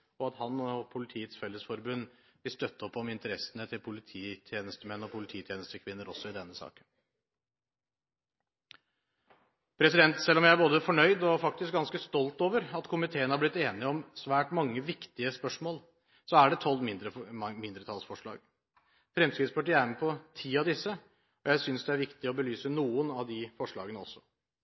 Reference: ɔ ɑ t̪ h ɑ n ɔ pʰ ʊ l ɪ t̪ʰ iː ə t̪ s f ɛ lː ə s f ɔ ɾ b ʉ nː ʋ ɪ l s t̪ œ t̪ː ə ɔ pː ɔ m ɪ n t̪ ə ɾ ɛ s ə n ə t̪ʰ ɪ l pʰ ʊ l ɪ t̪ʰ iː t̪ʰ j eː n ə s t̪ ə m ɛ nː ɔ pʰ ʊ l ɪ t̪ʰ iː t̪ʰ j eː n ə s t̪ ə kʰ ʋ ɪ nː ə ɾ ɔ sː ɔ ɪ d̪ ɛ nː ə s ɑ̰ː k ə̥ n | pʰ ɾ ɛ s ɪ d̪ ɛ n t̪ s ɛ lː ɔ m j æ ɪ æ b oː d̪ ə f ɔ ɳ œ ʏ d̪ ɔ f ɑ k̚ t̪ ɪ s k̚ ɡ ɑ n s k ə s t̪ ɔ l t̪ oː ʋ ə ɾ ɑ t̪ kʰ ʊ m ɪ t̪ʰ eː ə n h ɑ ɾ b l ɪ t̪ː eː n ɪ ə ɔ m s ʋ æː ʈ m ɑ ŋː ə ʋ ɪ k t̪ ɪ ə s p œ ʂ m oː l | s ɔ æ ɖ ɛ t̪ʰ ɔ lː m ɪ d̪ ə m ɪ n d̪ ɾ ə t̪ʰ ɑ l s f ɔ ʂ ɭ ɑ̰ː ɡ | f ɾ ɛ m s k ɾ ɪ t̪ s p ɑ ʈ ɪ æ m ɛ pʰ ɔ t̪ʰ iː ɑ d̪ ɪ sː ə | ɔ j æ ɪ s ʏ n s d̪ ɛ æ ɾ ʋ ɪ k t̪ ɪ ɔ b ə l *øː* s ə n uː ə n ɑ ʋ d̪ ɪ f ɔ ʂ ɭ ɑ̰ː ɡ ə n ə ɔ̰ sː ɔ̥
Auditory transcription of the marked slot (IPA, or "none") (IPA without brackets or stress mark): yː